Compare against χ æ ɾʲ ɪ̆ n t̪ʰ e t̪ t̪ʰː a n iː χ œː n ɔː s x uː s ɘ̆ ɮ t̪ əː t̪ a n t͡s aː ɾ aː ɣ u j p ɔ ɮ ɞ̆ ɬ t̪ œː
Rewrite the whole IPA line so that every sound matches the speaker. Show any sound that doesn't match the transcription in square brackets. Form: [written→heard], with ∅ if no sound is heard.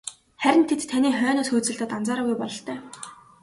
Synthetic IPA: χ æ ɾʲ ɪ̆ n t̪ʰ e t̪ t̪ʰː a n iː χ œː n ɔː s x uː [s→t͡s] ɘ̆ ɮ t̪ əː t̪ a n t͡s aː ɾ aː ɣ u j p ɔ ɮ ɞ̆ ɬ t̪ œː

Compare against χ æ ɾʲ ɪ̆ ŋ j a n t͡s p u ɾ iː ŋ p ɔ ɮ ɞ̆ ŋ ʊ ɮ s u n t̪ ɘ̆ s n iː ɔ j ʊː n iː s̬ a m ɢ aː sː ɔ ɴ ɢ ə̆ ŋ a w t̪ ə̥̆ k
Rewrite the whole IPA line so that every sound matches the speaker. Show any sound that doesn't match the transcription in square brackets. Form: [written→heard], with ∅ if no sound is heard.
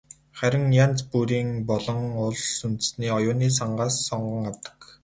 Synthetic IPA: χ æ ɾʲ ɪ̆ ŋ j a n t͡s p u ɾ iː ŋ p ɔ ɮ ɞ̆ ŋ ʊ ɮ s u n t̪ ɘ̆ s n iː ɔ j ʊː n iː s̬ a [m→ɴ] ɢ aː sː ɔ ɴ ɢ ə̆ ŋ a w t̪ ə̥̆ k

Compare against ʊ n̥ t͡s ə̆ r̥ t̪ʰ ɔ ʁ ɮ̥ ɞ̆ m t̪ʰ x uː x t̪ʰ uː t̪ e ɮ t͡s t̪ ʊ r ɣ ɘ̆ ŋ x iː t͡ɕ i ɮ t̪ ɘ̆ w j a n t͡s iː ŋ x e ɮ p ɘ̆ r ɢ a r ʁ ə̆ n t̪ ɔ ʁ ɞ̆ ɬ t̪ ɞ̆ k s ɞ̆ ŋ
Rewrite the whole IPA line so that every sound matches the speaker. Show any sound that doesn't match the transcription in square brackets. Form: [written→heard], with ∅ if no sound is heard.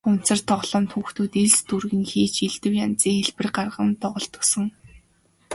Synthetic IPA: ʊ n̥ t͡s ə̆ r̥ t̪ʰ ɔ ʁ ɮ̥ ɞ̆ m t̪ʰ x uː x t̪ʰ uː t̪ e ɮ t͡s t̪ [ʊ→u] r ɣ ɘ̆ ŋ x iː t͡ɕ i ɮ t̪ ɘ̆ w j a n t͡s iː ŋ x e ɮ p ɘ̆ r ɢ a r ʁ ə̆ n t̪ ɔ ʁ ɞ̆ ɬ t̪ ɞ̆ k s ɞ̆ ŋ

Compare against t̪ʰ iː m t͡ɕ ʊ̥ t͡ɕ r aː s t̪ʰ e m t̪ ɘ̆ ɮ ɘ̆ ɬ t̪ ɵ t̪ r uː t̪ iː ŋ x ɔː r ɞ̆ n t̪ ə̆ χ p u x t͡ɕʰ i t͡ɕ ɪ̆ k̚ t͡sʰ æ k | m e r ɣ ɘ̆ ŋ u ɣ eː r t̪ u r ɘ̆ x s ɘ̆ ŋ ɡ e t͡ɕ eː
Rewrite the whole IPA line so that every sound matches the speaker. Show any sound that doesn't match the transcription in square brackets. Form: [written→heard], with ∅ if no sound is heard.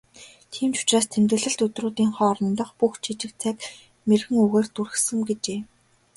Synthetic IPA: t̪ʰ iː m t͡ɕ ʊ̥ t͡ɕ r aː s t̪ʰ e m t̪ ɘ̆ ɮ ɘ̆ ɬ t̪ ɵ t̪ r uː t̪ iː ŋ [x→χ] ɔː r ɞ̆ n t̪ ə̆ χ p u x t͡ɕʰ i t͡ɕ ɪ̆ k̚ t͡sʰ æ k | m e r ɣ ɘ̆ ŋ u ɣ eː r t̪ u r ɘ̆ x s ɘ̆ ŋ ɡ e t͡ɕ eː

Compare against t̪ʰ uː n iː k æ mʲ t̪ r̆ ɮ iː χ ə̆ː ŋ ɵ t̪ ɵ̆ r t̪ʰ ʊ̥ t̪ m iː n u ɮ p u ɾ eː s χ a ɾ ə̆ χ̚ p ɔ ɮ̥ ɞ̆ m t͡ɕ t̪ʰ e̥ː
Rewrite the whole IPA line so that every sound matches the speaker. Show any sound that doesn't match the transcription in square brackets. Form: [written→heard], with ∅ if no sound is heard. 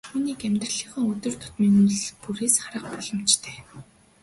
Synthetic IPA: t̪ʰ uː n iː k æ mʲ t̪ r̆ ɮ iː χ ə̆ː ŋ ɵ t̪ ɵ̆ r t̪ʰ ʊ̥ t̪ m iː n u ɮ p u ɾ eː s χ a ɾ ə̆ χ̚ p ɔ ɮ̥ ɞ̆ m t͡ɕ t̪ʰ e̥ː

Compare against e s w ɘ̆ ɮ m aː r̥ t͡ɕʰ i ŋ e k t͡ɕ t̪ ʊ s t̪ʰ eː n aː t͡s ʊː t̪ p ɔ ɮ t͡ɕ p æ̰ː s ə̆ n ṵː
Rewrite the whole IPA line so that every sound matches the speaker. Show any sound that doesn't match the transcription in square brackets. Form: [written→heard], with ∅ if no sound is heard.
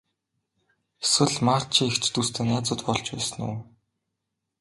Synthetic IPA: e s w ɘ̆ ɮ m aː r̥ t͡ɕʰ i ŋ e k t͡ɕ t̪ [ʊ→u] s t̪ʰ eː n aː t͡s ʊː t̪ p ɔ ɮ t͡ɕ p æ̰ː s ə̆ n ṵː

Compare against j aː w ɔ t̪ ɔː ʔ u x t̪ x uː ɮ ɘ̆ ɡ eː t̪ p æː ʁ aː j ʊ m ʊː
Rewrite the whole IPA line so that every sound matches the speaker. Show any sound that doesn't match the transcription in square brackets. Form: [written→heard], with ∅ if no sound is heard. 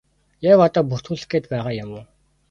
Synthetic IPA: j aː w ɔ t̪ ɔː [ʔ→p] u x t̪ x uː ɮ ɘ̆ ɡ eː t̪ p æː ʁ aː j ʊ m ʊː

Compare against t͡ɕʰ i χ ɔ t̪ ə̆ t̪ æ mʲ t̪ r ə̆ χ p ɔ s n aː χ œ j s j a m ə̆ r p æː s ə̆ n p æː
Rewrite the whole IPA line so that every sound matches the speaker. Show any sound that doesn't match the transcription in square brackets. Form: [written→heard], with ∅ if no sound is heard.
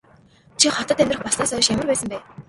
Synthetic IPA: t͡ɕʰ i χ ɔ t̪ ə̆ t̪ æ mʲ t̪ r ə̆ χ p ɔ s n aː [χ→s] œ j [s→ʃ] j a m ə̆ r p æː s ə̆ [n→m] p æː

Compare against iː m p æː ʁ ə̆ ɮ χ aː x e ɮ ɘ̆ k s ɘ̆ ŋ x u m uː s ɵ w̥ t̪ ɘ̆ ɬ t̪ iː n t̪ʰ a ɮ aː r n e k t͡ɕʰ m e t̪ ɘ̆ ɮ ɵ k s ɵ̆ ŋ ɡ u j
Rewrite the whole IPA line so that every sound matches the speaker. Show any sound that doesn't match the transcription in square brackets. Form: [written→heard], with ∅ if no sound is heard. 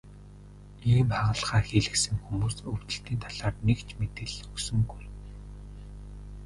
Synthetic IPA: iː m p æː ʁ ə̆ ɮ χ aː x e ɮ ɘ̆ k s ɘ̆ ŋ x u m uː s ɵ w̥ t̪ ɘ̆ ɬ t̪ iː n t̪ʰ a ɮ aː r n e k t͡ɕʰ m e t̪ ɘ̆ ɮ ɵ k s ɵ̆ ŋ ɡ u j

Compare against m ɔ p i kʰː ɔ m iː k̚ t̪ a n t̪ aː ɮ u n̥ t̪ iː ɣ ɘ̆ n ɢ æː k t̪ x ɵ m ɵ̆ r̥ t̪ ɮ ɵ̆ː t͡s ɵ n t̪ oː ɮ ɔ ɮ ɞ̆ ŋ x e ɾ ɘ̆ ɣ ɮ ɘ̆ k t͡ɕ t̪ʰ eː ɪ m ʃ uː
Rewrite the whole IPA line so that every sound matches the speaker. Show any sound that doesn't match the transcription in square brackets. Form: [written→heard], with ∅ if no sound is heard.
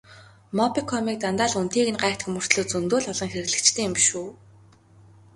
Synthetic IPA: m ɔ p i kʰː ɔ m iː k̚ t̪ a n t̪ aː ɮ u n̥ t̪ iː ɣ ɘ̆ n ɢ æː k t̪ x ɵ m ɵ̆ r̥ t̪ ɮ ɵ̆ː t͡s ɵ n t̪ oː ɮ ɔ ɮ ɞ̆ ŋ x e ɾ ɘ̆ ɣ ɮ ɘ̆ k t͡ɕ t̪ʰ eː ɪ m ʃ uː

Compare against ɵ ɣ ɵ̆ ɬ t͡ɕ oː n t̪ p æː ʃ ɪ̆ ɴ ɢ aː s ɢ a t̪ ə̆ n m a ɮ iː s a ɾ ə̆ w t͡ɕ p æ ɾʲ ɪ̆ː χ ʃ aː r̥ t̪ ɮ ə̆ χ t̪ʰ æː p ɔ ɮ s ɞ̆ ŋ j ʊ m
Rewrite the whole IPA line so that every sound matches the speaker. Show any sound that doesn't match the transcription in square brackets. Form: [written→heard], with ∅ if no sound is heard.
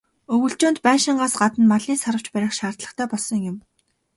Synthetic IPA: ɵ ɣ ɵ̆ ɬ t͡ɕ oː n t̪ p æː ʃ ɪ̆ ɴ ɢ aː s ɢ a t̪ ə̆ n m a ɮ iː s a ɾ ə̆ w t͡ɕ p æ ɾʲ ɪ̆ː χ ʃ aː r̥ t̪ ɮ ə̆ χ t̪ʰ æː p ɔ ɮ s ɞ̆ ŋ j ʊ m

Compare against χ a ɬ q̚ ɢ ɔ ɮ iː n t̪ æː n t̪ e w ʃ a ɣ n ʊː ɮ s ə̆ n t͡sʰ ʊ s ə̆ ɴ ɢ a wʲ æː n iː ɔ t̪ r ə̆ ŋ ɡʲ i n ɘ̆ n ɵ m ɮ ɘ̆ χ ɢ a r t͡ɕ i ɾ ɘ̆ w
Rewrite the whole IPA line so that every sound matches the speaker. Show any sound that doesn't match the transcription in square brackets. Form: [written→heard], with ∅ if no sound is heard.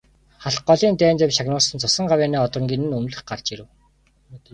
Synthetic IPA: χ a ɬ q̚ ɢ ɔ ɮ iː n t̪ æː n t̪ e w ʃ a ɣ n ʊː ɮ s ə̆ n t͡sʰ ʊ s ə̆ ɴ ɢ a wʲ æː n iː ɔ t̪ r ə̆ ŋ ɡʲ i n ɘ̆ n ɵ m ɮ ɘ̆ χ ɢ a r t͡ɕ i ɾ ɘ̆ w

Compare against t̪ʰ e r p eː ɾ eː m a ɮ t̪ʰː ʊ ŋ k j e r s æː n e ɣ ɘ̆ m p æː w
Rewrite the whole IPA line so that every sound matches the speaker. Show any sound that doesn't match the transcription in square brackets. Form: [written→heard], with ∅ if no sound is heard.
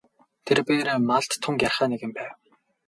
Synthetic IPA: t̪ʰ e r p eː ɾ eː m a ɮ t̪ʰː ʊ ŋ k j [e→a] r [s→χ] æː n e ɣ ɘ̆ m p æː w

